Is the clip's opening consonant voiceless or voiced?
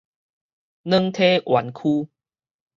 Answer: voiced